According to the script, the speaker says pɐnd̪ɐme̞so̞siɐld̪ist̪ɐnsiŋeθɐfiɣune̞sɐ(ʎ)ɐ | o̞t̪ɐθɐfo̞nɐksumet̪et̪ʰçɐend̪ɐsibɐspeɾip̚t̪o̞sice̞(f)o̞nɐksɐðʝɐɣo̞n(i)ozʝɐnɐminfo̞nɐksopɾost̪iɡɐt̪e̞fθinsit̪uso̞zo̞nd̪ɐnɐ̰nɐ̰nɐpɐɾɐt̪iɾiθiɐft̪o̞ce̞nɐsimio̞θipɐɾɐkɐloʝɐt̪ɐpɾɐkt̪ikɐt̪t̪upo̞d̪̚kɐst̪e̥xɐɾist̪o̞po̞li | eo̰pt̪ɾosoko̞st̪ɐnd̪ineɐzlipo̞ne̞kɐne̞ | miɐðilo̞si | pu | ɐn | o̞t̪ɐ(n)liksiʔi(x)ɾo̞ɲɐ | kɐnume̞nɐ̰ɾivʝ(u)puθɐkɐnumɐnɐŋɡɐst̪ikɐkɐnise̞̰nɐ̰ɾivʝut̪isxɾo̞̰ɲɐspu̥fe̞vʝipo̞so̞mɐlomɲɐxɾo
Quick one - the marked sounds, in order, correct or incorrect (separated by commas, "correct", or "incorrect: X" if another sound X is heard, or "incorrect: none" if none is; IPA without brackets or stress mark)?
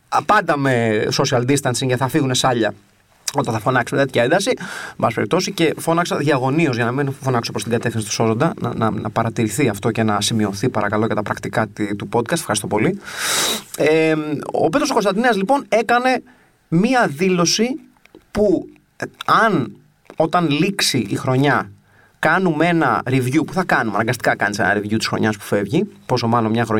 correct, correct, correct, correct, correct, correct